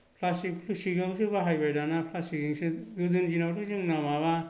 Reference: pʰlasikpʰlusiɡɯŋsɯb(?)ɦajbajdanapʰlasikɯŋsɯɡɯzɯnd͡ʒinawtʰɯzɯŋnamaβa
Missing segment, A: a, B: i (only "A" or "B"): A